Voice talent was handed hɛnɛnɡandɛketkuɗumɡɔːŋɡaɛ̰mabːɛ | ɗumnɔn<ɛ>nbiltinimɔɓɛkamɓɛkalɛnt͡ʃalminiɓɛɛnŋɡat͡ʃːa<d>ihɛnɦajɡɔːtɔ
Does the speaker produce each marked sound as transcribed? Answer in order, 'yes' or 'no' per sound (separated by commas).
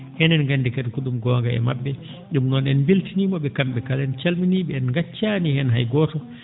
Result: yes, no